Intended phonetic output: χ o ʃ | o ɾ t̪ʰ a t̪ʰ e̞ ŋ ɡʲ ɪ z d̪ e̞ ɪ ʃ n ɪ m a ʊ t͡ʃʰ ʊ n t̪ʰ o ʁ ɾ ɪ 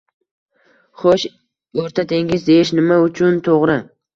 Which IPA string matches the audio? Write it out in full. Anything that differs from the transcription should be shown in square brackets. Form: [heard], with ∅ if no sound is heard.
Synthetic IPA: χ o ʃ | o ɾ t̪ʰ a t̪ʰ e̞ ŋ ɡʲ ɪ z d̪ e̞ ɪ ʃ n ɪ m a ʊ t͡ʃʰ ʊ n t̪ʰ o ʁ ɾ ɪ